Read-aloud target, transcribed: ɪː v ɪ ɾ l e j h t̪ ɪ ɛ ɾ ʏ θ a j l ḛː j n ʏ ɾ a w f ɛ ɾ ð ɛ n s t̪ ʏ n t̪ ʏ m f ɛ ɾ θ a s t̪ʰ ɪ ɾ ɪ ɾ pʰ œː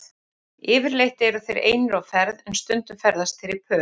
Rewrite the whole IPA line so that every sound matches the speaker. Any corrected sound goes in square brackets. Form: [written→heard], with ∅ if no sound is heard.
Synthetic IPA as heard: ɪː v ɪ ɾ l e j h t̪ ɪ ɛ ɾ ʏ θ [a→e] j [l→ɾ] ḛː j n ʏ ɾ a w f ɛ ɾ ð ɛ n s t̪ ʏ n t̪ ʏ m f ɛ ɾ [θ→ð] a s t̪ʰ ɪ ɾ ɪ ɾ pʰ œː